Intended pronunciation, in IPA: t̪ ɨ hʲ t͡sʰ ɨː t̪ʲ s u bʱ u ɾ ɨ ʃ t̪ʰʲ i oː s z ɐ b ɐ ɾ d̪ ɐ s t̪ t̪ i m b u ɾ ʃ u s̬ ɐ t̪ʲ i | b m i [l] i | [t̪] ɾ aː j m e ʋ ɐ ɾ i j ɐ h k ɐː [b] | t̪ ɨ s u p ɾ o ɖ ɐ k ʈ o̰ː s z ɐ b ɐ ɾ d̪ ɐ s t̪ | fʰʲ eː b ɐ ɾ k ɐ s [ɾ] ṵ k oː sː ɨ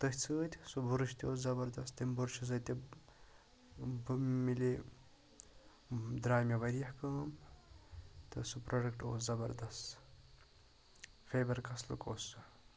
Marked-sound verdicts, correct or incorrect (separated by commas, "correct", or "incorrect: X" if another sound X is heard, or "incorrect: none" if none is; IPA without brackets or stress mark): correct, incorrect: d̪, incorrect: m, incorrect: l